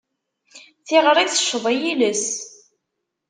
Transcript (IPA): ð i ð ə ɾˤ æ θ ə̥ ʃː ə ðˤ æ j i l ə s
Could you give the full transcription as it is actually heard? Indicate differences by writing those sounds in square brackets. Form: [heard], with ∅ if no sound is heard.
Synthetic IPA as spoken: [θ] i [ʁ] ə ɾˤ [i] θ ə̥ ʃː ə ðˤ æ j i l ə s